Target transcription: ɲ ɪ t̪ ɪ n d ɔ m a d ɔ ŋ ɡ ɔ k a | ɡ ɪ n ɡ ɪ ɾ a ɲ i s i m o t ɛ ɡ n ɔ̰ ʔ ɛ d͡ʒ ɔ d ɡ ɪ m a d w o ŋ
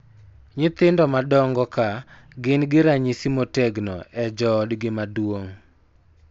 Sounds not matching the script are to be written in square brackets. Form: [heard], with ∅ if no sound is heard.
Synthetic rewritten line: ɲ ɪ t̪ ɪ n d ɔ m a d ɔ ŋ ɡ ɔ k a | ɡ ɪ n ɡ ɪ ɾ a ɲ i s i m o t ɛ ɡ n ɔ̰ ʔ ɛ d͡ʒ ɔ d ɡ ɪ m a d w o ŋ